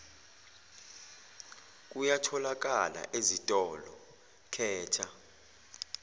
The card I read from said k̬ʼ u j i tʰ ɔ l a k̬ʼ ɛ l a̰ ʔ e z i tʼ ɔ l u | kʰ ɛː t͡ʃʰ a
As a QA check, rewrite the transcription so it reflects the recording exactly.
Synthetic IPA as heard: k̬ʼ u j a tʰ ɔ l a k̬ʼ a l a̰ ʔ e z i tʼ ɔ l ɔ | kʰ ɛː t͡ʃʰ a